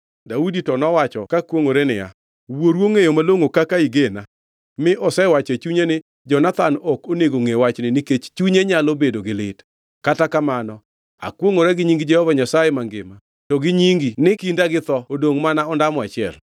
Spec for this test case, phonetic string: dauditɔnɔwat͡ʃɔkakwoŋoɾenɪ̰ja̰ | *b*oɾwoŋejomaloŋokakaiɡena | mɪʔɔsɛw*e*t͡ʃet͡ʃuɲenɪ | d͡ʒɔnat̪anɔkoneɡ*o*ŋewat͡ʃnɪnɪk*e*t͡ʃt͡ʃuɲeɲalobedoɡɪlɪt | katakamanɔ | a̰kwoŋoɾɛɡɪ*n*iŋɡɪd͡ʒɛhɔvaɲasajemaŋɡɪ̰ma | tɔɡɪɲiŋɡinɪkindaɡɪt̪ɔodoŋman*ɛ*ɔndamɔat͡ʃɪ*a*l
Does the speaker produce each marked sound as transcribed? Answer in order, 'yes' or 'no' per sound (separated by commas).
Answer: no, no, yes, yes, no, no, no